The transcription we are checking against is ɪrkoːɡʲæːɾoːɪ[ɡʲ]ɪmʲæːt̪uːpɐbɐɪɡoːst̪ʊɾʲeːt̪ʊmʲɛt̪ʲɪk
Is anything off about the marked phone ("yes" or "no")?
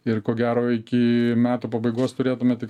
yes